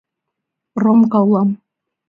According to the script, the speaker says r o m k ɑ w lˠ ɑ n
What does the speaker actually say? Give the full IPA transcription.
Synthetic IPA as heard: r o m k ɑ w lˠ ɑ m